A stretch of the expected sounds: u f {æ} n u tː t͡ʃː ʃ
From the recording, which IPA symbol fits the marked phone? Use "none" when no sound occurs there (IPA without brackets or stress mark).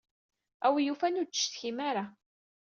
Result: æ